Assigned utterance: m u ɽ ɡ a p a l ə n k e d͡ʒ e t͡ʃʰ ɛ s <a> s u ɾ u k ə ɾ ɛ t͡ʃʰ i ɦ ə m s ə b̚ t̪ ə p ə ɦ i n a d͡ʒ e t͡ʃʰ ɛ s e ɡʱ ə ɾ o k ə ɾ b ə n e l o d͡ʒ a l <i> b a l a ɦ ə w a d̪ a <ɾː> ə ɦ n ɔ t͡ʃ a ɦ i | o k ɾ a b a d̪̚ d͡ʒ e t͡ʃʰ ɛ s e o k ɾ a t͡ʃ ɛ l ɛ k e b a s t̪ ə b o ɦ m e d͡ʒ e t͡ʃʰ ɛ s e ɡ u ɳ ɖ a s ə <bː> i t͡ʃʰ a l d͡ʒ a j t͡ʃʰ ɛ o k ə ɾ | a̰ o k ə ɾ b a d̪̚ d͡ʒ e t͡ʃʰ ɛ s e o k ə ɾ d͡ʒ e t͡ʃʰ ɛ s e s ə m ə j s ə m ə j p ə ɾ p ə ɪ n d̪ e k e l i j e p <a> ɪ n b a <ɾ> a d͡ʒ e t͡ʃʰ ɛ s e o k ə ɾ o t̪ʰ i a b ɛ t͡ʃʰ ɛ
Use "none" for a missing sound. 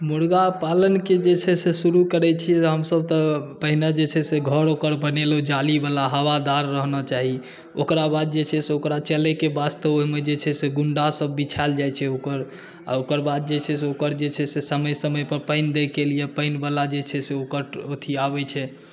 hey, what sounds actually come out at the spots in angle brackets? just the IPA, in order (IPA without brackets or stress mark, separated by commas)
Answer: e, i, ɾː, bː, ə, l